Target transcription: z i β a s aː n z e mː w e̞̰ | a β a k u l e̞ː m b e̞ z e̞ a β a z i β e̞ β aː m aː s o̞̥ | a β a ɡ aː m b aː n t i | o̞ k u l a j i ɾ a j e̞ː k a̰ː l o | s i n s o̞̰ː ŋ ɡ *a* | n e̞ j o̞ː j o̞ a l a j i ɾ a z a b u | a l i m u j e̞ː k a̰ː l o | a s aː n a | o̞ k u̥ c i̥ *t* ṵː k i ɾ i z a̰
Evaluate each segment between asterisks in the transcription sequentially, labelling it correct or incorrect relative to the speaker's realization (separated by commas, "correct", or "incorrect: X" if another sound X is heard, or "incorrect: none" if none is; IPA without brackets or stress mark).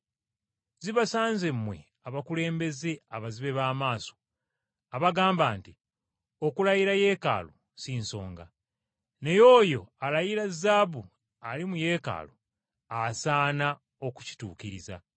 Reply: correct, correct